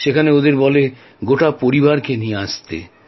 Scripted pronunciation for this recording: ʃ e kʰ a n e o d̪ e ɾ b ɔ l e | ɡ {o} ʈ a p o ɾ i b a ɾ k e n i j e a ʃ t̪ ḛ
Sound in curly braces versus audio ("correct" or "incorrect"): correct